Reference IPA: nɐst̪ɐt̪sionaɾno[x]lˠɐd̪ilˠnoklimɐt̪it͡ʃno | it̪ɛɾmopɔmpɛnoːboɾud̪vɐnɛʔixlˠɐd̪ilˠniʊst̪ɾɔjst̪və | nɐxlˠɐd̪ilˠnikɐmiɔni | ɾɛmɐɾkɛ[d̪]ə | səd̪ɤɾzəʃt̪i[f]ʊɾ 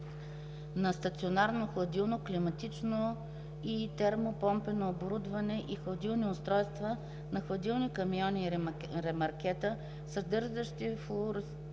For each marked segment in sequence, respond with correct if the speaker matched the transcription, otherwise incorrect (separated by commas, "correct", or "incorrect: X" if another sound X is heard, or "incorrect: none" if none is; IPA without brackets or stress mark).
correct, incorrect: t̪, correct